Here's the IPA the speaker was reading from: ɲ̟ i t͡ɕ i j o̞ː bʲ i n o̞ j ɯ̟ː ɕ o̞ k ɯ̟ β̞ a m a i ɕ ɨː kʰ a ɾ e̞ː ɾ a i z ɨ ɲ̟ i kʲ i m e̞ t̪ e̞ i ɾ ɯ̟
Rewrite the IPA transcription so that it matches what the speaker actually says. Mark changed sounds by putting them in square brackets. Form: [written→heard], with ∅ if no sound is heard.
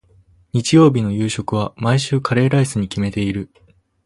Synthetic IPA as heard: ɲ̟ i t͡ɕ i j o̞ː bʲ i n o̞ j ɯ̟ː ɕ o̞ k ɯ̟ β̞ a m a i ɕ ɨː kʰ a ɾ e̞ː ɾ a i [z→s] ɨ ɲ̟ i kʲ i m e̞ t̪ e̞ i ɾ ɯ̟